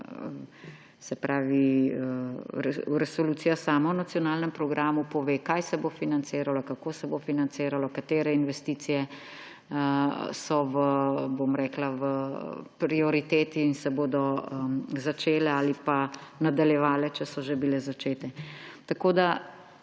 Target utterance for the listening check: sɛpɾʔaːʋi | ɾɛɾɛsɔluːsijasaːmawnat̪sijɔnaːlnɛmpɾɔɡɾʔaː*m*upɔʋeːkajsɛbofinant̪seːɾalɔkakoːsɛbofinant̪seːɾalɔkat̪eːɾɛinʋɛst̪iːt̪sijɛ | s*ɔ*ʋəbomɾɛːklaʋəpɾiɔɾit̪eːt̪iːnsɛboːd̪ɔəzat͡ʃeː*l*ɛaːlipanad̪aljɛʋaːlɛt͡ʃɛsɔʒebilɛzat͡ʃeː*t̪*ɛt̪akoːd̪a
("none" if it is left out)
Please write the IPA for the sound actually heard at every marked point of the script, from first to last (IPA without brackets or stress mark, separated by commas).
m, ɔ, l, t̪